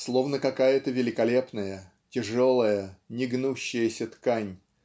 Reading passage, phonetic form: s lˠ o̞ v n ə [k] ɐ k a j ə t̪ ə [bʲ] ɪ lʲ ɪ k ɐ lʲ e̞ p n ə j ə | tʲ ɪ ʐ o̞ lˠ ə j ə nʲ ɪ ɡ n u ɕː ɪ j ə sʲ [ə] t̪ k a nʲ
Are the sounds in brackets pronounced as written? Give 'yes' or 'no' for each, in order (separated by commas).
yes, no, yes